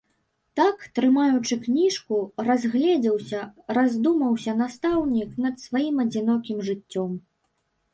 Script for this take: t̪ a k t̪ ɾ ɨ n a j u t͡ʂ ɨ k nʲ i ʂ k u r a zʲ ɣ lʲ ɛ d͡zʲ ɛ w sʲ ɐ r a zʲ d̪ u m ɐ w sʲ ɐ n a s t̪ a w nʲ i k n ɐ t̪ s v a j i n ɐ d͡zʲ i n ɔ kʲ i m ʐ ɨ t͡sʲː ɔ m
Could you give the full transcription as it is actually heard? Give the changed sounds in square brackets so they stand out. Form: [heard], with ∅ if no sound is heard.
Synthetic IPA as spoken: t̪ a k t̪ ɾ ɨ [m] a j u t͡ʂ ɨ k nʲ i ʂ k u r a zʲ ɣ lʲ ɛ d͡zʲ ɛ w sʲ ɐ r a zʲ d̪ u m ɐ w sʲ ɐ n a s t̪ a w nʲ i k n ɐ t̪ s v a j i [m] ɐ d͡zʲ i n ɔ kʲ i m ʐ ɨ t͡sʲː ɔ m